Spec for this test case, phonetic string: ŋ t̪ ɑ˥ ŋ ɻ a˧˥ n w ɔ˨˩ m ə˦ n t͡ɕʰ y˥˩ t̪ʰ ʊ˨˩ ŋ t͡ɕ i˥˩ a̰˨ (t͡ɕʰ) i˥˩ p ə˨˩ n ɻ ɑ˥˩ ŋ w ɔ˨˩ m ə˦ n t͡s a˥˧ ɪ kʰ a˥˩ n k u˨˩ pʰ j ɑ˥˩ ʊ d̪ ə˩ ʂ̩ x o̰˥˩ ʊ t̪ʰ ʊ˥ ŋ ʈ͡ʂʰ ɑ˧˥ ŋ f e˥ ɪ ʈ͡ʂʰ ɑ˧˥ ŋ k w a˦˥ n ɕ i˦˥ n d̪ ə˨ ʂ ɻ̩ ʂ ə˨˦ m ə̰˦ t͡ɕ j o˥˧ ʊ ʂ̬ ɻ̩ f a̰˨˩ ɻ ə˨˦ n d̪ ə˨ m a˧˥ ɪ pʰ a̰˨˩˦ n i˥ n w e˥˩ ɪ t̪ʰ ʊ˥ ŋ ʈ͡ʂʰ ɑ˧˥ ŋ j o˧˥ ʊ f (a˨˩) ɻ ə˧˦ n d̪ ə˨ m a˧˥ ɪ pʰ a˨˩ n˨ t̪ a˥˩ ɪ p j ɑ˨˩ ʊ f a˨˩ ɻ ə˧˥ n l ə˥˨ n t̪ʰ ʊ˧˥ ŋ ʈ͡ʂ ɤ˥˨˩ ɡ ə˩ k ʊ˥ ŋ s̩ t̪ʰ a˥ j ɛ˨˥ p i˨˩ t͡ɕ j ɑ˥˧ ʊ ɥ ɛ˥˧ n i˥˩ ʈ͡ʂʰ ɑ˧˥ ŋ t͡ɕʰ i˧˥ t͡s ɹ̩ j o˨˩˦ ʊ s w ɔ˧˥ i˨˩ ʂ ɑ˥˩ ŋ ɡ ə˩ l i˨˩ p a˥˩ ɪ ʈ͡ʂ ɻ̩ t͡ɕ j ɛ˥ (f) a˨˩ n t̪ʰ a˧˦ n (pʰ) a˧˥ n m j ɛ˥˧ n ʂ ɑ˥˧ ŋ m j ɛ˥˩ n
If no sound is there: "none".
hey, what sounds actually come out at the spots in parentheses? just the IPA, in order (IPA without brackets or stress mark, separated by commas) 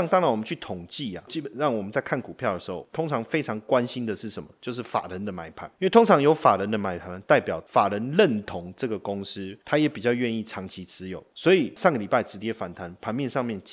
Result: t͡ɕ, a˨˩, f, pʰ